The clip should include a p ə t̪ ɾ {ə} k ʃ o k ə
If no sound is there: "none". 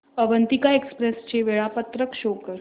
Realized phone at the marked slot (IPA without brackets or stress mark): ə